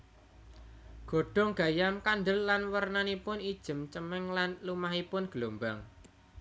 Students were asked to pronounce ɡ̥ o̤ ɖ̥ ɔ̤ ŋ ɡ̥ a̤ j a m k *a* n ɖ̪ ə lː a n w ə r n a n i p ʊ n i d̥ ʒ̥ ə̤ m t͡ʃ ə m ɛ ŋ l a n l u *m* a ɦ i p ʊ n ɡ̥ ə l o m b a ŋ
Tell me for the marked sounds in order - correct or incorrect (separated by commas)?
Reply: correct, correct